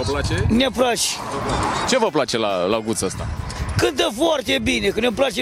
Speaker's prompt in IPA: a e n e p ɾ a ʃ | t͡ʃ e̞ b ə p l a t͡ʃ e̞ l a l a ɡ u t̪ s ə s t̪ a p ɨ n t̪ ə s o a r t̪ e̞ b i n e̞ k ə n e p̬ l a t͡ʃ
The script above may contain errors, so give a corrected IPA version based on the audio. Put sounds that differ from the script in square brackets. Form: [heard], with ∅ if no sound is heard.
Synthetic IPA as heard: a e n e p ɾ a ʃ | t͡ʃ e̞ [v] ə p l a t͡ʃ e̞ l a l a ɡ u t̪ s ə s t̪ a [k] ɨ n t̪ ə [f] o a r t̪ e̞ b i n e̞ k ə n e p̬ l a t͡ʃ